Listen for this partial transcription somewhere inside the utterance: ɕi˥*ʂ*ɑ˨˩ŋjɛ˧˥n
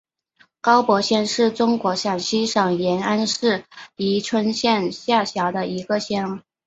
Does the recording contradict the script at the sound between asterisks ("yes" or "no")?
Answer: no